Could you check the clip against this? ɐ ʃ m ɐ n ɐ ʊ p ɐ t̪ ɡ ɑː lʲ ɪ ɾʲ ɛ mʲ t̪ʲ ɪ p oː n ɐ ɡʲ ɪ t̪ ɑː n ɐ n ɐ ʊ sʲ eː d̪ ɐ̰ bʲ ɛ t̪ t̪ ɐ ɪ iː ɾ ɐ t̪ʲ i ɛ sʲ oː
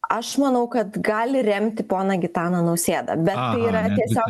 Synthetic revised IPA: ɐ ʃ m ɐ n ɐ ʊ k ɐ t̪ ɡ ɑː lʲ ɪ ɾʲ ɛ mʲ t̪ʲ ɪ p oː n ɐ ɡʲ ɪ t̪ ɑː n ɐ n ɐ ʊ sʲ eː d̪ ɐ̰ bʲ ɛ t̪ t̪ ɐ ɪ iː ɾ ɐ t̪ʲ i ɛ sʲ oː